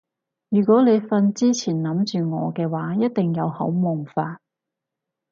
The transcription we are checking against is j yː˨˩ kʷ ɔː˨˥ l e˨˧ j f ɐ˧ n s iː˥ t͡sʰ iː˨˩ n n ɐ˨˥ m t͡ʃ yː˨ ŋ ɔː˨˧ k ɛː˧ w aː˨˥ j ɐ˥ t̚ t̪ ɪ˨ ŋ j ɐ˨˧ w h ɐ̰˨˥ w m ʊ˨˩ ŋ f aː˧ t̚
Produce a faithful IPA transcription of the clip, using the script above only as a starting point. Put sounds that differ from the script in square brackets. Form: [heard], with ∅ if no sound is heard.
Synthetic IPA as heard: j yː˨˩ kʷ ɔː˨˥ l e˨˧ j f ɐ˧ n [t͡s] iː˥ t͡sʰ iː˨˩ n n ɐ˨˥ m t͡ʃ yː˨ ŋ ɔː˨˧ k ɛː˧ w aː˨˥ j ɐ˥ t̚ t̪ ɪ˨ ŋ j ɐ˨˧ w h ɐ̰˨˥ w m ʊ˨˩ ŋ f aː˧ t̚